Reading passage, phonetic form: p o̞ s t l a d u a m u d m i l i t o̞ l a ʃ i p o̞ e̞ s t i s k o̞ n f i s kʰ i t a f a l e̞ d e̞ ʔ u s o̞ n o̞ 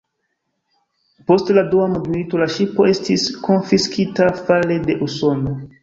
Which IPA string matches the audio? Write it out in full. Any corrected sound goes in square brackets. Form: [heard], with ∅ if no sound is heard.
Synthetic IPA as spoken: p o̞ s t l a d u a m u d m i l i t o̞ l a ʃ i p o̞ e̞ s t i s k o̞ n f i s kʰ i t a f a l e̞ d e̞ ʔ u s o̞ n o̞